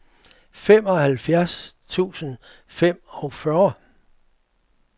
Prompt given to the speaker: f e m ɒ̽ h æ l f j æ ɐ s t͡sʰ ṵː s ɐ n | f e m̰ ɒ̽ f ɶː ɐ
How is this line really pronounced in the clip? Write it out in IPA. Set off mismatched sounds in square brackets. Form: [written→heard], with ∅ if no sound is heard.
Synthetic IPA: f e m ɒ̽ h æ l f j æ ɐ s t͡sʰ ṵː s [ɐ→ə] n | f e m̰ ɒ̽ f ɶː ɐ